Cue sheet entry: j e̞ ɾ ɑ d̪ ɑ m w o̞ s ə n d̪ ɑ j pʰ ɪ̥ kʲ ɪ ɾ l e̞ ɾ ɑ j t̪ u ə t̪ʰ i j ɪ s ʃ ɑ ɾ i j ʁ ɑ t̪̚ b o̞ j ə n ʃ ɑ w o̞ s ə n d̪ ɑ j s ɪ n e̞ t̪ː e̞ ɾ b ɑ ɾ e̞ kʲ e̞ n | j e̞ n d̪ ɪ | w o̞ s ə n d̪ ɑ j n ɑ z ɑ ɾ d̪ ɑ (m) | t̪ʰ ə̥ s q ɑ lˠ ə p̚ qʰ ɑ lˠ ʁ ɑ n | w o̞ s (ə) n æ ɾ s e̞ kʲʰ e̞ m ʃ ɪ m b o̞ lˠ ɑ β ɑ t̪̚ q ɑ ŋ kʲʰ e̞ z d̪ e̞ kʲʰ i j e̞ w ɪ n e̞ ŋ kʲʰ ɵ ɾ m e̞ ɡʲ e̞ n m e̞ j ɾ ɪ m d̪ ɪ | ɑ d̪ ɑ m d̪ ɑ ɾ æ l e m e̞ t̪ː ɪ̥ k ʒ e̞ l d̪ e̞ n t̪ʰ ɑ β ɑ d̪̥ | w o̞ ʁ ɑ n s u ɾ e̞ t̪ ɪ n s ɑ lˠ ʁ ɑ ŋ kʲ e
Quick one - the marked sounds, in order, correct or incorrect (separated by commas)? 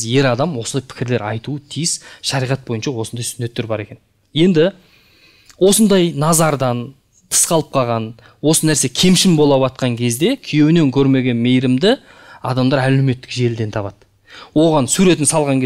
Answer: incorrect, correct